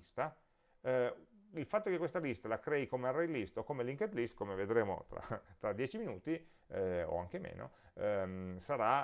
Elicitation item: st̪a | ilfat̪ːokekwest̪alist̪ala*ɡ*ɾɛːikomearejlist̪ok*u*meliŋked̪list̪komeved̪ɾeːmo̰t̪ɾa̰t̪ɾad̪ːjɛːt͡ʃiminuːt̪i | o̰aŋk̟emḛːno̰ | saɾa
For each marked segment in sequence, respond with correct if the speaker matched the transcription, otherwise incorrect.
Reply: incorrect: k, incorrect: o

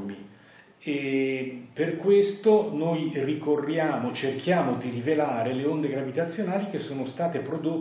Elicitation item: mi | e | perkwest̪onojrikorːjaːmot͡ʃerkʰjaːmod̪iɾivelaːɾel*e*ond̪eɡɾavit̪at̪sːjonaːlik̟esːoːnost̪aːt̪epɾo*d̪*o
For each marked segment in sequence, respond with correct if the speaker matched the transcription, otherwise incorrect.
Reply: correct, correct

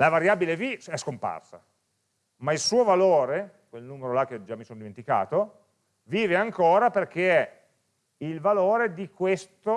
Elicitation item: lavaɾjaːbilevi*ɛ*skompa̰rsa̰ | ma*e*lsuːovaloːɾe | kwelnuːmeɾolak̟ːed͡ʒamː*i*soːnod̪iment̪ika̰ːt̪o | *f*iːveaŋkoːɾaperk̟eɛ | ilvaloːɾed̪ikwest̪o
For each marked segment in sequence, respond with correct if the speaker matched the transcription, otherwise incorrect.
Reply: correct, incorrect: i, correct, incorrect: v

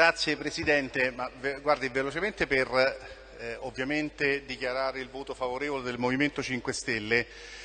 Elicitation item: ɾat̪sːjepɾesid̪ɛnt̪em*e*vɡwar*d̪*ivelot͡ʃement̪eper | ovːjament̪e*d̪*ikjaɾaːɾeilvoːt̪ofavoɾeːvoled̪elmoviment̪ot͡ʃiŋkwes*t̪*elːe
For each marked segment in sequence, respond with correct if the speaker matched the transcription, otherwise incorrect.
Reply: incorrect: a, correct, correct, correct

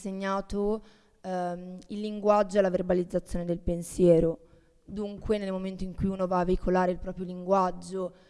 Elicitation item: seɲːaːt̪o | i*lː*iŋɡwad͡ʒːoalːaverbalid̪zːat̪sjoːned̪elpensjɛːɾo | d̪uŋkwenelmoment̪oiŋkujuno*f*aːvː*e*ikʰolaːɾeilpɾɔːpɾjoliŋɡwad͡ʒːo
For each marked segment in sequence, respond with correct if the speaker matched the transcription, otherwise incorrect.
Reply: correct, incorrect: v, correct

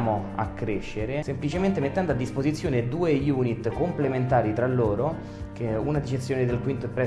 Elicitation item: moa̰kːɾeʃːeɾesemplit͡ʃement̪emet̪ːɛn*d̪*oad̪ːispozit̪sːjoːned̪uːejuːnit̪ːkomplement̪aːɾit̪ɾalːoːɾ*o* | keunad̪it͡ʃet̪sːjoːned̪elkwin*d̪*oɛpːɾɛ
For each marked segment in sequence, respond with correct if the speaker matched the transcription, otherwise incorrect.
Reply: correct, correct, incorrect: t̪

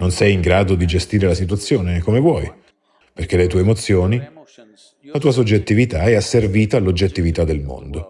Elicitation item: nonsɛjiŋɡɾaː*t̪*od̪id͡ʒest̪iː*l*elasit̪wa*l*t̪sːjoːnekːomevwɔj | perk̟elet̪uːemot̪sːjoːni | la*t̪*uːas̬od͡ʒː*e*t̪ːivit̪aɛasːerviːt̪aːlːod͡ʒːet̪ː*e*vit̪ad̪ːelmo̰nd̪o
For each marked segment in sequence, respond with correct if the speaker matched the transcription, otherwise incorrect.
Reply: incorrect: d̪, incorrect: ɾ, incorrect: none, correct, correct, incorrect: i

